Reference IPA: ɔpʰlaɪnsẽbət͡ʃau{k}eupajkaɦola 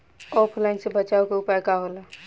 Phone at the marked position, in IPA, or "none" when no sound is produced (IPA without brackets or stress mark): k